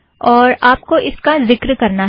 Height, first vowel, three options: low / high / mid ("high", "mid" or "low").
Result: mid